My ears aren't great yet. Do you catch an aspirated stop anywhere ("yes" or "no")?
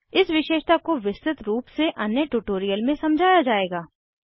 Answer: no